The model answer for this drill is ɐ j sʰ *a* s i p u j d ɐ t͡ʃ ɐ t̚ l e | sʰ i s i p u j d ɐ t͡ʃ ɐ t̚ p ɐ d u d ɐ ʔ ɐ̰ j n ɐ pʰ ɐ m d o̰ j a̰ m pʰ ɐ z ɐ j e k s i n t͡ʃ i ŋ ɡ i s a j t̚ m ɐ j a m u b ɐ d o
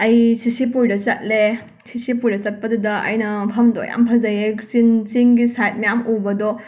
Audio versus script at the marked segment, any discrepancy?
yes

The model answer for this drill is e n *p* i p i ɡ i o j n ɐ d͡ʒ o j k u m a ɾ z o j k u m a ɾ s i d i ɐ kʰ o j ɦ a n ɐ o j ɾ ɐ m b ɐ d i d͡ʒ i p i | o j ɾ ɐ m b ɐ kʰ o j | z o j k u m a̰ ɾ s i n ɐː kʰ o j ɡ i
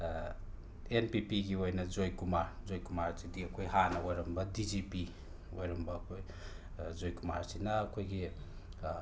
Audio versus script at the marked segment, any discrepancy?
no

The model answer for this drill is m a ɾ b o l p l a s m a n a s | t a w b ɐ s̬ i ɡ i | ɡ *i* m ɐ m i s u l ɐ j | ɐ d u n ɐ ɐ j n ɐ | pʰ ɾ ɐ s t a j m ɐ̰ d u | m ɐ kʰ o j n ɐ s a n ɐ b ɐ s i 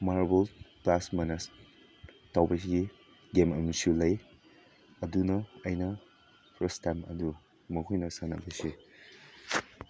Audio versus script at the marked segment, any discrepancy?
yes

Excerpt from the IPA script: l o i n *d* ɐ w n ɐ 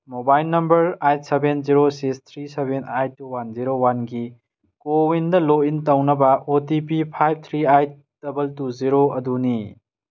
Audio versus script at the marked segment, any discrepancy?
yes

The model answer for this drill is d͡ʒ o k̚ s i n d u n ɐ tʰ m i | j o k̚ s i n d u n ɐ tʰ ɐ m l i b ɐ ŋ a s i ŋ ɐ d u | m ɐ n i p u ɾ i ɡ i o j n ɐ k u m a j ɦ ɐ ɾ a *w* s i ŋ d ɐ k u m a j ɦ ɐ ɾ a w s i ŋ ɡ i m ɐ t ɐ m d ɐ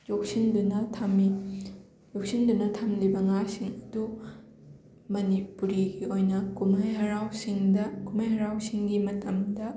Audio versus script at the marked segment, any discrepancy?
no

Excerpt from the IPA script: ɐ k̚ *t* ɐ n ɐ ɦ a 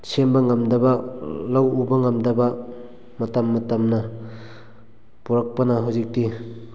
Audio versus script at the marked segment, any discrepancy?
yes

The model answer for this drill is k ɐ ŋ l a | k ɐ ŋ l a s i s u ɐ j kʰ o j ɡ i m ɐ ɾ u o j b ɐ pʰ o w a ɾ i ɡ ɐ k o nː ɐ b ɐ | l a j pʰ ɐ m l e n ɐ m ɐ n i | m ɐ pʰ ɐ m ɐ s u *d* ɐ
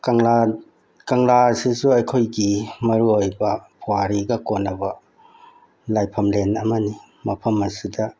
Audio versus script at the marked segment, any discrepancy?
no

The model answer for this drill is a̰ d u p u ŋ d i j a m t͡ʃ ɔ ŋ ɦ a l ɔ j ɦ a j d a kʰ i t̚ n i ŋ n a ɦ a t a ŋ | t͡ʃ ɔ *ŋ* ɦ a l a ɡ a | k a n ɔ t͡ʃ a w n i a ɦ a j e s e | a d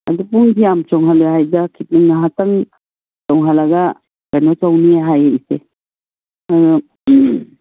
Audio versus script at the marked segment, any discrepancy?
no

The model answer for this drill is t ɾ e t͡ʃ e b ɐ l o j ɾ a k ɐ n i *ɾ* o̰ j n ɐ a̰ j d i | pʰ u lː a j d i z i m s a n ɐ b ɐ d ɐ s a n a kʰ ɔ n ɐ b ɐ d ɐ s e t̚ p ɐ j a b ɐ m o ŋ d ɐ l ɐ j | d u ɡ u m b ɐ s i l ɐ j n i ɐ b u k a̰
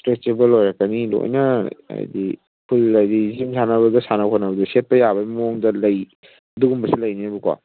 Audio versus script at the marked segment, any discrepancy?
yes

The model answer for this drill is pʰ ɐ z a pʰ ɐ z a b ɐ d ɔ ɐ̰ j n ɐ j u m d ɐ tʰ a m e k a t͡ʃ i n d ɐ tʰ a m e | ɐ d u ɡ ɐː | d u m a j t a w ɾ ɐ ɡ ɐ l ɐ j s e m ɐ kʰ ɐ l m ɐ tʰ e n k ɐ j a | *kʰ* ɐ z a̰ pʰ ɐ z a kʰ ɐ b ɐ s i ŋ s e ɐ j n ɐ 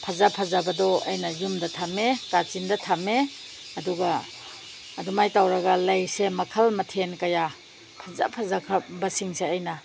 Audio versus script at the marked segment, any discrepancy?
yes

